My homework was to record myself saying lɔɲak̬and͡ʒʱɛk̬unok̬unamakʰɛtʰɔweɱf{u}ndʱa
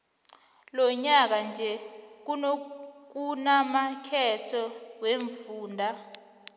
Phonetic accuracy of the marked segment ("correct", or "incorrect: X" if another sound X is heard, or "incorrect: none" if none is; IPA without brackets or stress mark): incorrect: uː